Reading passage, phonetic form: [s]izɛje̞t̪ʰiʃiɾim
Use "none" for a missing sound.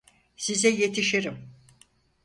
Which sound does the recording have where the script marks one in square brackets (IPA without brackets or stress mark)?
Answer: s